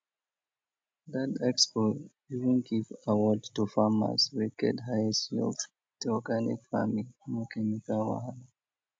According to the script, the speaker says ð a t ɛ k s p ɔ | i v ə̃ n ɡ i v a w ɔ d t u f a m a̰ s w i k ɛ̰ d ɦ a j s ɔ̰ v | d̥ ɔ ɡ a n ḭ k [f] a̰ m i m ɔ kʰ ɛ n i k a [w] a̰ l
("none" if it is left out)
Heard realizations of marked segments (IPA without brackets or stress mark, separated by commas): f, w